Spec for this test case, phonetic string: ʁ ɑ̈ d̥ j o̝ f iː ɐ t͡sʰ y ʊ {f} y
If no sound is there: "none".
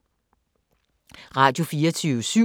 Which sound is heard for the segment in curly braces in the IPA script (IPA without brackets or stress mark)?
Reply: s